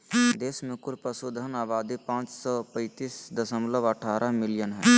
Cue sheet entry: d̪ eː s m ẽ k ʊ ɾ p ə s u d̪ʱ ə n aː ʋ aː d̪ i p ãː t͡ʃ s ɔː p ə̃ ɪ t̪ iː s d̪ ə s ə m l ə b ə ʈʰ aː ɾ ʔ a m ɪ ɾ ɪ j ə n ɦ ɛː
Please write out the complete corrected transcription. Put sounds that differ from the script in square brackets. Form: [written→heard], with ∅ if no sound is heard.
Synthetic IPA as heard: d̪ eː s m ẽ k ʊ ɾ p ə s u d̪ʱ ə n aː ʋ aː d̪ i p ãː t͡ʃ s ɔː p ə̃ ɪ t̪ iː s d̪ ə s ə m l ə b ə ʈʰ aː ɾ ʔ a m ɪ [ɾ→l] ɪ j ə n ɦ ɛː